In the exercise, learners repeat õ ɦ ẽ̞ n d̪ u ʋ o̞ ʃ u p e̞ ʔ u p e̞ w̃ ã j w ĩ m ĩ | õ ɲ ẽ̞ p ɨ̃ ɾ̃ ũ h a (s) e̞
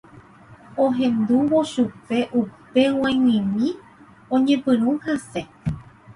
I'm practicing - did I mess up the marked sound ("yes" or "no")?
no